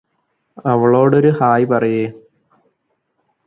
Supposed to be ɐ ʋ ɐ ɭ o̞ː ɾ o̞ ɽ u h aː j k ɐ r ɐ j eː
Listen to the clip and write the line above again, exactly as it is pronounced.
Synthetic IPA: ɐ ʋ ɐ ɭ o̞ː ɽ o̞ ɾ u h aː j p ɐ r ɐ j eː